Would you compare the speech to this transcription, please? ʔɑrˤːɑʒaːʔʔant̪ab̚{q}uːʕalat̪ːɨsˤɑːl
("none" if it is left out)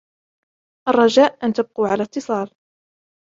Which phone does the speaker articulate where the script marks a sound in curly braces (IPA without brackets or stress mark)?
q